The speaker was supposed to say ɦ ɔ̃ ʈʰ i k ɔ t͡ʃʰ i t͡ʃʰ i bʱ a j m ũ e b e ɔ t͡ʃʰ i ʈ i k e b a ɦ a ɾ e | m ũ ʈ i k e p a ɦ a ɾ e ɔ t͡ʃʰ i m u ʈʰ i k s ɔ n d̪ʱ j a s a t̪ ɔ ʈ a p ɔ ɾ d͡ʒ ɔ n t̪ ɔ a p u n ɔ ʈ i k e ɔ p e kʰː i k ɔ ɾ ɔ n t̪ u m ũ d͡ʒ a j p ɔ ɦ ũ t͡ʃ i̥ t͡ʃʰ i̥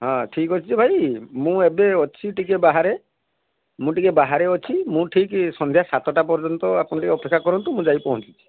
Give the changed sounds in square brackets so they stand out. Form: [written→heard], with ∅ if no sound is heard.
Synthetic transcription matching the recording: ɦ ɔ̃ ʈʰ i k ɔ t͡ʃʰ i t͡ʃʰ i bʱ a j m ũ e b e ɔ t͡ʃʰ i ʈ i k e b a ɦ a ɾ e | m ũ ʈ i k e [p→b] a ɦ a ɾ e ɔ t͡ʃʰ i m [u→ũ] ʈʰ i k s ɔ n d̪ʱ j a s a t̪ ɔ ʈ a p ɔ ɾ d͡ʒ ɔ n t̪ ɔ a p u n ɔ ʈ i k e ɔ p e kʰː [i→a] k ɔ ɾ ɔ n t̪ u m ũ d͡ʒ a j p ɔ ɦ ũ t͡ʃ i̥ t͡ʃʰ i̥